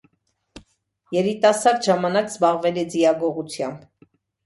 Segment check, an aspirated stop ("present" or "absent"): present